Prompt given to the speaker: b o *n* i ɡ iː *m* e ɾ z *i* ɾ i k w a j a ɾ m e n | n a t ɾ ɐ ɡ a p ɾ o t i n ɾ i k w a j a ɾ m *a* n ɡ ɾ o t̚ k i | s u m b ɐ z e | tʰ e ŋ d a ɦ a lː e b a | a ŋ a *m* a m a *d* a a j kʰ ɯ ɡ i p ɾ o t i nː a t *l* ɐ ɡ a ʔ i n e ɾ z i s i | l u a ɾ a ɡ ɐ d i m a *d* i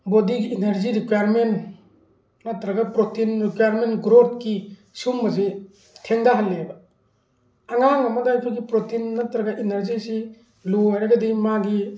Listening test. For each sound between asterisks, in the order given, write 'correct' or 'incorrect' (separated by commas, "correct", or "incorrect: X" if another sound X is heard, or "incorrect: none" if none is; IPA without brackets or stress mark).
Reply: incorrect: d, incorrect: n, correct, incorrect: e, incorrect: ŋ, correct, incorrect: ɾ, incorrect: ɡ